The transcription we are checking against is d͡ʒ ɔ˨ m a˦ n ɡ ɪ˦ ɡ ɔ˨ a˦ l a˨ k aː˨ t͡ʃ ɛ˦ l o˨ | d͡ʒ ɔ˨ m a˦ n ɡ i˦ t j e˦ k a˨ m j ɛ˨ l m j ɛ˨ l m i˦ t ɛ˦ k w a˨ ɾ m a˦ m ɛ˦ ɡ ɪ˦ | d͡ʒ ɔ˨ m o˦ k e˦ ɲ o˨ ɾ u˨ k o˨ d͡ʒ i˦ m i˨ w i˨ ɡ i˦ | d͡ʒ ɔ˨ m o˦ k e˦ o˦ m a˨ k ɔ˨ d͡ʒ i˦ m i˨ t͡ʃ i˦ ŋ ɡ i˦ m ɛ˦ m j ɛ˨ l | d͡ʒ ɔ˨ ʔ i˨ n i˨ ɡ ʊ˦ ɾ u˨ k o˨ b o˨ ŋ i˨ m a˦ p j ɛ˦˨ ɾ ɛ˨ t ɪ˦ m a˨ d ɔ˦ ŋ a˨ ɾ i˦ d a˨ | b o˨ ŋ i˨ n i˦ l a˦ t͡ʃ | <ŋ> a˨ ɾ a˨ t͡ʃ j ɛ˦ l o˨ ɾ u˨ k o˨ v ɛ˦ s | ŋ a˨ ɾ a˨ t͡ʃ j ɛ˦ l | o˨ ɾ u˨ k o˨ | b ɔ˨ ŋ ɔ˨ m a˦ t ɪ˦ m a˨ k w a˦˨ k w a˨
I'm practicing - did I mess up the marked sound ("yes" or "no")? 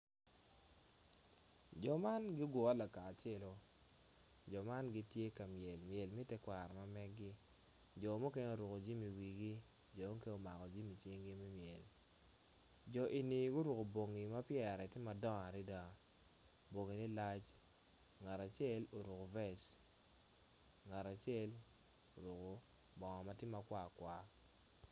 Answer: no